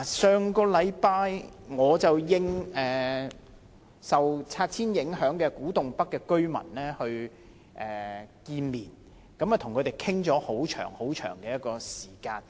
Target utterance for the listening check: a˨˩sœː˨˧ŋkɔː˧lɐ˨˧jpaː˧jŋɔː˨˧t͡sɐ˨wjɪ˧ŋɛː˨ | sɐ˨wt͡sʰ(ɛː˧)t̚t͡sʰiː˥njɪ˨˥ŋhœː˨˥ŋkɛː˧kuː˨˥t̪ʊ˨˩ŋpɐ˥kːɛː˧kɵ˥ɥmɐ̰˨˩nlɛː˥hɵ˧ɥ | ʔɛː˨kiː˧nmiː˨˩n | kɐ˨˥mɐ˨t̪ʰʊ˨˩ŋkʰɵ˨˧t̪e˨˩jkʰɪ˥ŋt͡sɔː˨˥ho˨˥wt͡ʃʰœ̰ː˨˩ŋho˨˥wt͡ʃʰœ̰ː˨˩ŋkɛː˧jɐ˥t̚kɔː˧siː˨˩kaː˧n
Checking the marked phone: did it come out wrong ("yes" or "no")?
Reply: yes